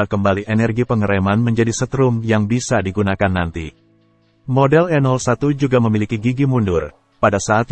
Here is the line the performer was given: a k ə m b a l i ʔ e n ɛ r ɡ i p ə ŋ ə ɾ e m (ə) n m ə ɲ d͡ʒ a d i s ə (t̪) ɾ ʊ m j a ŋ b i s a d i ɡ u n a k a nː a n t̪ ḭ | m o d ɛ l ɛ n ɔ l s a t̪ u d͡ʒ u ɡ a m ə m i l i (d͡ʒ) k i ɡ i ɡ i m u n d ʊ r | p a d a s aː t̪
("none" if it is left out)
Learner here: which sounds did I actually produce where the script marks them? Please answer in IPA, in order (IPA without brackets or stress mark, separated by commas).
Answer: a, t̪, none